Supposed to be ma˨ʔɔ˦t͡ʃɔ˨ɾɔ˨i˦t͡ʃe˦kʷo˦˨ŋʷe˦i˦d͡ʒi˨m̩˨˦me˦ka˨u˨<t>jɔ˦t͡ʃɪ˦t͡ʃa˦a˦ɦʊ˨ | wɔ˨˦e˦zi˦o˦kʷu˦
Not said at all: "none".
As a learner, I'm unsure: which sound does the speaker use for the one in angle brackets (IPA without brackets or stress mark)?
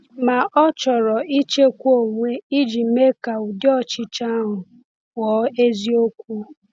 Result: d